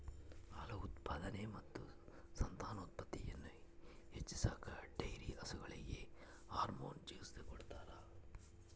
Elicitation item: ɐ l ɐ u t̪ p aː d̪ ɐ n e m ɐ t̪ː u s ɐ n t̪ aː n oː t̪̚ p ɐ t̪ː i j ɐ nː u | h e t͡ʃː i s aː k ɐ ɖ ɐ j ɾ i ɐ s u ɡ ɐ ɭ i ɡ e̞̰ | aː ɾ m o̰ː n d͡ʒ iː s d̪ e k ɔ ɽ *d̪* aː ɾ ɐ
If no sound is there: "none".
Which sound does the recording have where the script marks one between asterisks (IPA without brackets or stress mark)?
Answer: t̪